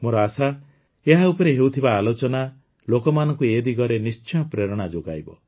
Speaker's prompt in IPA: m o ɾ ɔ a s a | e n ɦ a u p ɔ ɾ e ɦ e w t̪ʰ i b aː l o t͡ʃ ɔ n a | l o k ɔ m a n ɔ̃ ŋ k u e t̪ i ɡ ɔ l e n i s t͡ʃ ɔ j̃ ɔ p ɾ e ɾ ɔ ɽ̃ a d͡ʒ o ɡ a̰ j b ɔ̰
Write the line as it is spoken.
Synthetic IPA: m o ɾ ɔ a s a | e ɦ a u p ɔ ɾ e ɦ e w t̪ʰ i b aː l o t͡ʃ ɔ n a | l o k ɔ m a n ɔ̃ ŋ k u e d̪ i ɡ ɔ ɾ e n i s t͡ʃ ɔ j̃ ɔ p ɾ e ɾ ɔ ɽ̃ a d͡ʒ o ɡ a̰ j b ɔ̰